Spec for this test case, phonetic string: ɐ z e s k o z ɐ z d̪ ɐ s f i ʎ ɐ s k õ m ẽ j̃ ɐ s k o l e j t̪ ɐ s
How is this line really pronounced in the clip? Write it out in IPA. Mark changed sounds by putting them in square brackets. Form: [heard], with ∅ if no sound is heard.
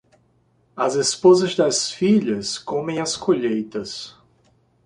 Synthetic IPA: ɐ z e s [p] o z ɐ z d̪ ɐ s f i ʎ ɐ s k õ m ẽ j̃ ɐ s k o [ʎ] e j t̪ ɐ s